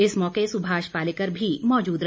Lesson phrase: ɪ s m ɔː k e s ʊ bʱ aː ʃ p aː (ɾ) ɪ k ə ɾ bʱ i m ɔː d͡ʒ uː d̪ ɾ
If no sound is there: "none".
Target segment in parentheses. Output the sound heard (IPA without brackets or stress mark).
l